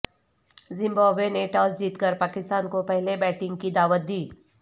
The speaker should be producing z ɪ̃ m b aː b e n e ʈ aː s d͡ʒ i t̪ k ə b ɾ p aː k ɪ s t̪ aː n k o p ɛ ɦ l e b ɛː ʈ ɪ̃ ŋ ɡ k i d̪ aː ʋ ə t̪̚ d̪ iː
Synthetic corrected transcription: z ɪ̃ m b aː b e n e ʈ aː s d͡ʒ iː t̪ k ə ɾ p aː k ɪ s t̪ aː n k o p ɛ ɦ l e b ɛː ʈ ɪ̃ ŋ ɡ k i d̪ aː ʋ ə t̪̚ d̪ iː